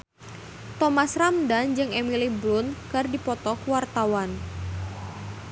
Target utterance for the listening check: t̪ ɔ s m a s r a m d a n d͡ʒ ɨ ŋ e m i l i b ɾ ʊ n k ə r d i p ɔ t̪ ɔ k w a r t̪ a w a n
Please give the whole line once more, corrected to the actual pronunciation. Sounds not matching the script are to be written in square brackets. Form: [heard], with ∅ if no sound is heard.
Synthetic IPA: t̪ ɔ [∅] m a s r a m d a n d͡ʒ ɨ ŋ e m i l i b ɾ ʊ n k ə r d i p ɔ t̪ ɔ k w a r t̪ a w a n